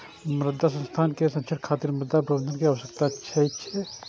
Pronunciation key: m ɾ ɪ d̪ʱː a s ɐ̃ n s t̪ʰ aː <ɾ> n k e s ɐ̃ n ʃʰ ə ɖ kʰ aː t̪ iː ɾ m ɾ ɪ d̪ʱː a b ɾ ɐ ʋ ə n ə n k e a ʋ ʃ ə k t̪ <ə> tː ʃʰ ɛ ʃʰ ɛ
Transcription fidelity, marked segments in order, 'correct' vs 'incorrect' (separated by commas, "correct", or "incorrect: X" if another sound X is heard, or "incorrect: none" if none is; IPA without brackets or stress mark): incorrect: none, incorrect: a